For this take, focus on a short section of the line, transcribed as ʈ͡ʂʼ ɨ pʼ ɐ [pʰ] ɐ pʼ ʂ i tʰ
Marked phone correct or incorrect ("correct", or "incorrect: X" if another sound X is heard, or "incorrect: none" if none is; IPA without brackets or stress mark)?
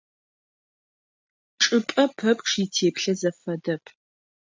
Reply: correct